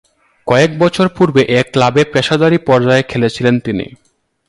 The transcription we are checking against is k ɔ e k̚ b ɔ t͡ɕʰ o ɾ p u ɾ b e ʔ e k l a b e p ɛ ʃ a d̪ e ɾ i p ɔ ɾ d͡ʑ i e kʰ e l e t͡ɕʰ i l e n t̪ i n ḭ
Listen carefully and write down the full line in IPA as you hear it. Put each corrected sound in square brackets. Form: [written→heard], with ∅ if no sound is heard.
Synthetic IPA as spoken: k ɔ e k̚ b ɔ t͡ɕʰ o ɾ p u ɾ b e ʔ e k l a b e p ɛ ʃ a d̪ [e→a] ɾ i p ɔ ɾ d͡ʑ [i→a] e kʰ e l e t͡ɕʰ i l e n t̪ i n ḭ